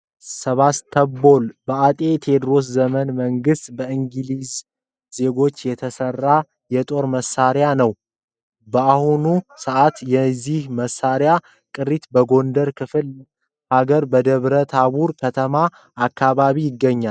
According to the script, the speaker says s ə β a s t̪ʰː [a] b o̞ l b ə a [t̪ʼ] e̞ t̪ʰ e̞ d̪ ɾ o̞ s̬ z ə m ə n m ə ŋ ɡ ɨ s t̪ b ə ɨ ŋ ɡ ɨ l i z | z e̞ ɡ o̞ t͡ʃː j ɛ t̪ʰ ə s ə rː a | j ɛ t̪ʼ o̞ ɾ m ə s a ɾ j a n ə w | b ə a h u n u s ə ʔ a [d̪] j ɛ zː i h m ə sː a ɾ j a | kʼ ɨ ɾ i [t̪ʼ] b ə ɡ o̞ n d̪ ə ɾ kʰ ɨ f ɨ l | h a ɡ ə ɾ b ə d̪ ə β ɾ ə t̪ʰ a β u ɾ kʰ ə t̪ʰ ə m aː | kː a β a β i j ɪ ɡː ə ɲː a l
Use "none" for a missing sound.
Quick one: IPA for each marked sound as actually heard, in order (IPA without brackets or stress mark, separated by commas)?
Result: ə, t̪ʼ, t̪, t̪